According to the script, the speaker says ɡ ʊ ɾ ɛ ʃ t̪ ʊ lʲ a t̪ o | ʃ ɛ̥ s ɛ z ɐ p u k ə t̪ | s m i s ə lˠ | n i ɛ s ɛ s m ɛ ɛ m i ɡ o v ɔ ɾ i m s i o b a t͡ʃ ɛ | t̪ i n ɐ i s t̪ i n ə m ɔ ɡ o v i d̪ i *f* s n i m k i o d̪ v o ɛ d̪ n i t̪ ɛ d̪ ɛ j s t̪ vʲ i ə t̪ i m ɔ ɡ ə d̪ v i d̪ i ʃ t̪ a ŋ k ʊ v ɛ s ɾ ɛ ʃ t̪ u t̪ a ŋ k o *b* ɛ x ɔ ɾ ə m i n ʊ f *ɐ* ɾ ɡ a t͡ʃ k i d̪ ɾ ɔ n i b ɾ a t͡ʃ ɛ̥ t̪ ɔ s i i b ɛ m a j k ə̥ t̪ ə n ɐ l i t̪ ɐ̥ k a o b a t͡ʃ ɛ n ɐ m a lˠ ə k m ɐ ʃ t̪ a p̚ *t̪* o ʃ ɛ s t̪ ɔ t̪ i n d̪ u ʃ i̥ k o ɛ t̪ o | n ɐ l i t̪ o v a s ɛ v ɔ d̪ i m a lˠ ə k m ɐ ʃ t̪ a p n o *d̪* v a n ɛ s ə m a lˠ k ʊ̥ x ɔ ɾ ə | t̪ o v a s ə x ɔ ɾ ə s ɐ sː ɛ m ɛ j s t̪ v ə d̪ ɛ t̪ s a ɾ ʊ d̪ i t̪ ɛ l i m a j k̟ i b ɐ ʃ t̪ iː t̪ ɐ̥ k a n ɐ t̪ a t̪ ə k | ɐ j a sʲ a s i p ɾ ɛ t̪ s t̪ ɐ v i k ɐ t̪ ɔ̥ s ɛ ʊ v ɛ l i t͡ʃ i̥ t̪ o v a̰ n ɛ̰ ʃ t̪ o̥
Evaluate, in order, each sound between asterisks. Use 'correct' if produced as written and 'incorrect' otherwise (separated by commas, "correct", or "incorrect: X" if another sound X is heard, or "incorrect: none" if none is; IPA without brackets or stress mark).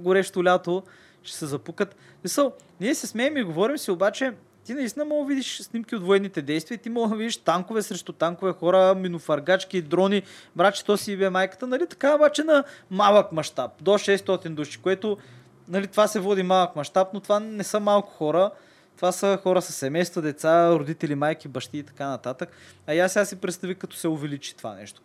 incorrect: ʃ, incorrect: v, correct, incorrect: d̪, incorrect: t̪